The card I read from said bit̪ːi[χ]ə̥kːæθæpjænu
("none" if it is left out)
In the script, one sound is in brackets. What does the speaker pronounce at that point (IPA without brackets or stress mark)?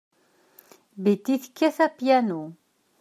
θ